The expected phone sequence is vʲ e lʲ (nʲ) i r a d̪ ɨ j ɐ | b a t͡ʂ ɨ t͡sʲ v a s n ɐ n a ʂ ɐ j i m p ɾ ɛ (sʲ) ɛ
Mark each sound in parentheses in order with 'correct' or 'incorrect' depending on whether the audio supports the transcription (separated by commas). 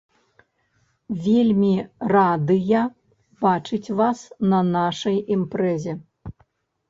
incorrect, incorrect